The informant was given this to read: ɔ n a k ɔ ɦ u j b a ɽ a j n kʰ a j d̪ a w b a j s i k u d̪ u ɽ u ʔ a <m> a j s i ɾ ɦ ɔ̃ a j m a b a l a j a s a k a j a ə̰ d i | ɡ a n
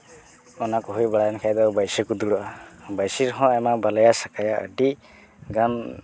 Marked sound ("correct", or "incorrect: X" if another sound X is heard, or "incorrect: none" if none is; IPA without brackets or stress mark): incorrect: b